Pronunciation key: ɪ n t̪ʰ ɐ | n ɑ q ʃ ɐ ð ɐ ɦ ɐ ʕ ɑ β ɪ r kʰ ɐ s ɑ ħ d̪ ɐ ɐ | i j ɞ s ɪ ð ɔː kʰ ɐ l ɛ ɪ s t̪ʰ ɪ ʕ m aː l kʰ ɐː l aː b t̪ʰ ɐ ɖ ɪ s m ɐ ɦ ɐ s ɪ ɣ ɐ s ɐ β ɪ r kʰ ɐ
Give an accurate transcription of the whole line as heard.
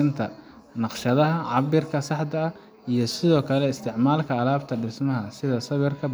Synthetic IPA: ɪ n t̪ʰ ɐ | n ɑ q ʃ ɐ ð ɐ ɦ ɐ ʕ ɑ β ɪ r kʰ ɐ s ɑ ħ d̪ ɐ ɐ | i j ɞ s ɪ ð ɔː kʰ ɐ l ɛ ɪ s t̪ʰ ɪ ʕ m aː l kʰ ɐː l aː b t̪ʰ ɐ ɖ ɪ s m ɐ ɦ ɐ s ɪ ð ɐ s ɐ β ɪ r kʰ ɐ